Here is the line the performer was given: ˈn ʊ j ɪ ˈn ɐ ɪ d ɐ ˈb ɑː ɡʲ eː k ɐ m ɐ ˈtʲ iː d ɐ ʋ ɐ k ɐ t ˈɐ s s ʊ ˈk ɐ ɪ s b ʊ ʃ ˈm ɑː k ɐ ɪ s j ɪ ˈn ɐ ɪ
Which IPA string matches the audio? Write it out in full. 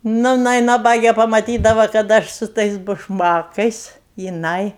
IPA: ˈn ʊ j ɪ ˈn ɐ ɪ n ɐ ˈb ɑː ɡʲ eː p ɐ m ɐ ˈtʲ iː d ɐ ʋ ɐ k ɐ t ˈɐ ʃ s ʊ ˈt ɐ ɪ s b ʊ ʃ ˈm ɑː k ɐ ɪ s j ɪ ˈn ɐ ɪ